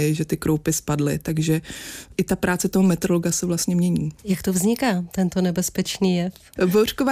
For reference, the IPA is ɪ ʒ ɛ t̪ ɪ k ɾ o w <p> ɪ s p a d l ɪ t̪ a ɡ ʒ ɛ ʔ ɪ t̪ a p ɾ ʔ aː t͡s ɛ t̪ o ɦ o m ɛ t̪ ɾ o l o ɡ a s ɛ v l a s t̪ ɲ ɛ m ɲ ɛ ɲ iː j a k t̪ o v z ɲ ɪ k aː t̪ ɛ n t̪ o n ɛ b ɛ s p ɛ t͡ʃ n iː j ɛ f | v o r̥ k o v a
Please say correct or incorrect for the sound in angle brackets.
correct